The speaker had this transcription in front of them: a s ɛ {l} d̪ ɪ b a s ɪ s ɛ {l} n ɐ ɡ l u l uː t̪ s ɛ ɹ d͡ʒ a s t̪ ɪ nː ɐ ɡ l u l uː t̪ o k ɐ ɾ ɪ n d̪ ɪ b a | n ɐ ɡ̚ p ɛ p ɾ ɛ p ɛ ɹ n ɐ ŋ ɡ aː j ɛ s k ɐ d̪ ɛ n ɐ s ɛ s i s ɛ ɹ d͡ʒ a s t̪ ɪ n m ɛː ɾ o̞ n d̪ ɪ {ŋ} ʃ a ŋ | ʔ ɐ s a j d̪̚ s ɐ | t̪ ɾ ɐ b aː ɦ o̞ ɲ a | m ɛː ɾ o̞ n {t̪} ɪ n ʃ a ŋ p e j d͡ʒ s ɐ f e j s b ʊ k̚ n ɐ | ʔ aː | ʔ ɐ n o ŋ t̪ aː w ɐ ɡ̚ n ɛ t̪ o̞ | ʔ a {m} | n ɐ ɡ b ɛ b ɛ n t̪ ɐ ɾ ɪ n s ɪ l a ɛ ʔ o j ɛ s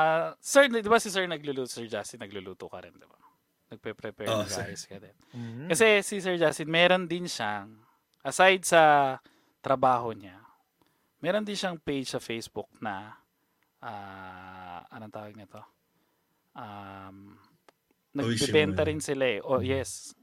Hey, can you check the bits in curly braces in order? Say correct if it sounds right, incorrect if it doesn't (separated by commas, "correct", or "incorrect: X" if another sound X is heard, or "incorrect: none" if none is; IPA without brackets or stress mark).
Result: incorrect: ɹ, incorrect: ɹ, incorrect: n, incorrect: d̪, correct